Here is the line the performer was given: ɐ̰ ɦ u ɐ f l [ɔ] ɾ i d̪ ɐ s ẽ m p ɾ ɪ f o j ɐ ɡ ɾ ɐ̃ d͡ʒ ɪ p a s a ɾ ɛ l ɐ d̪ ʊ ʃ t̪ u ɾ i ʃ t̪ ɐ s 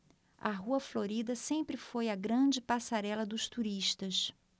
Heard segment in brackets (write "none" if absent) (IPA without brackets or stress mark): o